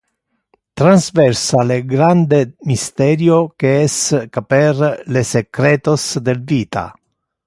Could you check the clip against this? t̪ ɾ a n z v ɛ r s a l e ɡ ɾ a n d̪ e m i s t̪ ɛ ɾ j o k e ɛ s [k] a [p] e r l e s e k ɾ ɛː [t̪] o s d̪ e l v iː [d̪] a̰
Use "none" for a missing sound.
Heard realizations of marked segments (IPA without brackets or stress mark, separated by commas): k, p, t̪, t̪